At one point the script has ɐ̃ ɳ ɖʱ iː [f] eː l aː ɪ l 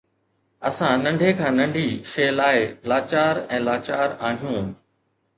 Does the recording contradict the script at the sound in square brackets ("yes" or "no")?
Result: yes